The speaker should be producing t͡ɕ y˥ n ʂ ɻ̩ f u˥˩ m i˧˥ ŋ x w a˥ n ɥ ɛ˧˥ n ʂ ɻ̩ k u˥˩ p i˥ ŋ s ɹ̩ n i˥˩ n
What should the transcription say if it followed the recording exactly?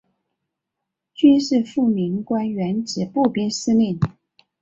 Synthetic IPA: t͡ɕ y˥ n ʂ ɻ̩ f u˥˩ m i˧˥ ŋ k w a˥ n ɥ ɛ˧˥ n ʈ͡ʂ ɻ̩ p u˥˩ p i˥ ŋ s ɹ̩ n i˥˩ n

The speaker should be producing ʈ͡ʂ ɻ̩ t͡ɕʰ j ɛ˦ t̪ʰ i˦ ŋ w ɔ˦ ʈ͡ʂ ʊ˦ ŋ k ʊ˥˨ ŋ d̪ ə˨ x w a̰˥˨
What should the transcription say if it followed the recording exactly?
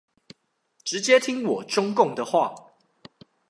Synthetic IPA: ʈ͡ʂ ɻ̩ t͡ɕ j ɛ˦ t̪ʰ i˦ ŋ w ɔ˨˩ ʈ͡ʂ ʊ˦ ŋ k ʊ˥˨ ŋ d̪ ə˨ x w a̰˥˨

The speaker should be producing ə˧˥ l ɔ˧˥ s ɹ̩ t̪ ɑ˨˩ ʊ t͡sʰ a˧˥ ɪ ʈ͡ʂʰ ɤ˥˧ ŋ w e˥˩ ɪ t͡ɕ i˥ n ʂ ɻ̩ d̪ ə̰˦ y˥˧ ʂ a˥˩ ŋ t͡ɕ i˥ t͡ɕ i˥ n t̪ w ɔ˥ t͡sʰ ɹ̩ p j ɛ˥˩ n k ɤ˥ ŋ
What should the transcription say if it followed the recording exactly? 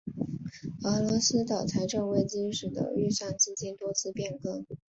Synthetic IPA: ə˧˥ l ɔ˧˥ s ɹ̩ t̪ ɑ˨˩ ʊ t͡sʰ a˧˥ ɪ ʈ͡ʂ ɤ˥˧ ŋ w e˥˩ ɪ t͡ɕ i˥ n ʂ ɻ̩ d̪ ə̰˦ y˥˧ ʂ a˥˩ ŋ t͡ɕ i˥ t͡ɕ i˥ n t̪ w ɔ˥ t͡sʰ ɹ̩ p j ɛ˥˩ n k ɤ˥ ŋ

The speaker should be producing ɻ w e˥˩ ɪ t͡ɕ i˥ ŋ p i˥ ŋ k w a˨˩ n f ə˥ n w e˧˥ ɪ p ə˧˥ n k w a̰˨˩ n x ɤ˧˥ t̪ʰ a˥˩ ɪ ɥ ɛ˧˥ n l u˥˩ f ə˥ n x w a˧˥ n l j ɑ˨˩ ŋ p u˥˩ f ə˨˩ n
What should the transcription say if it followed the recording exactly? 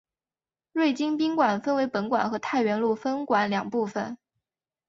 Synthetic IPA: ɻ w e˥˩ ɪ t͡ɕ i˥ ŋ p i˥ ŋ k w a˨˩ n f ə˥ n w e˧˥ ɪ p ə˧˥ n k w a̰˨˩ n x ɤ˧˥ t̪ʰ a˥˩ ɪ ɥ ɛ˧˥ n l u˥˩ f ə˥ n k w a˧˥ n l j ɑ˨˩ ŋ p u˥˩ f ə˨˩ n

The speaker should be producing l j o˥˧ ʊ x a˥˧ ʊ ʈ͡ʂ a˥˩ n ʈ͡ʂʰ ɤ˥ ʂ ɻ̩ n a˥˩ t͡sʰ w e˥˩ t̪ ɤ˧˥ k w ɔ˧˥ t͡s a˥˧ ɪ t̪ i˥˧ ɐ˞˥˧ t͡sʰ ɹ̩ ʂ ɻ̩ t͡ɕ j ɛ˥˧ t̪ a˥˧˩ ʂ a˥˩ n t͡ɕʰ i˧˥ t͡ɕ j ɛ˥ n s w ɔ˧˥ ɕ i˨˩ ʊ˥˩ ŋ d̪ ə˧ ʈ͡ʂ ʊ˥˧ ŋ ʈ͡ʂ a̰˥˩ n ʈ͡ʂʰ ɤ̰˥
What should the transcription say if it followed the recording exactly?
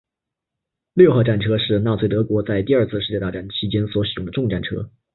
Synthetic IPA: l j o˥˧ ʊ x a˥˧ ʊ ʈ͡ʂ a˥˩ n ʈ͡ʂʰ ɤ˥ ʂ ɻ̩ n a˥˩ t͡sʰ w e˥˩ t̪ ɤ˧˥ k w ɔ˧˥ t͡s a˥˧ ɪ t̪ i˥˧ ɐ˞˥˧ t͡sʰ ɹ̩ ʂ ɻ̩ t͡ɕ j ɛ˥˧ t̪ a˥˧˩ ʈ͡ʂ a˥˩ n t͡ɕʰ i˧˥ t͡ɕ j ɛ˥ n s w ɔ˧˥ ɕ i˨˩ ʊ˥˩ ŋ d̪ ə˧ ʈ͡ʂ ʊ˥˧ ŋ ʈ͡ʂ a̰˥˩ n ʈ͡ʂʰ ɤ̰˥

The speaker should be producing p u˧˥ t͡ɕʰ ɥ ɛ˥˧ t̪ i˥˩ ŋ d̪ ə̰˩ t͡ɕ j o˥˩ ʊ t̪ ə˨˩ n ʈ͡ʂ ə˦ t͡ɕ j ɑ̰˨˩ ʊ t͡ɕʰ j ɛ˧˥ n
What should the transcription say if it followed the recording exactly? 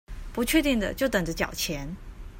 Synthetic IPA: p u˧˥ t͡ɕʰ ɥ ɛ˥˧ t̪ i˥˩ ŋ d̪ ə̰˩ t͡ɕ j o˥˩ ʊ t̪ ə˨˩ ŋ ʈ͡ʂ ə˦ t͡ɕ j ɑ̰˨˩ ʊ t͡ɕʰ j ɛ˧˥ n

